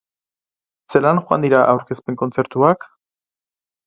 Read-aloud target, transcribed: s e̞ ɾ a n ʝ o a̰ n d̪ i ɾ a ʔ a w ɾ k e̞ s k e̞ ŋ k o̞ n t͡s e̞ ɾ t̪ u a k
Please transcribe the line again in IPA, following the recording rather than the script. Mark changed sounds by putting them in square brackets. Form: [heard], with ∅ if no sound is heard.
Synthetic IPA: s e̞ [l] a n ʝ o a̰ n d̪ i ɾ a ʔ a w ɾ k e̞ s [p] e̞ ŋ k o̞ n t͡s e̞ ɾ t̪ u a k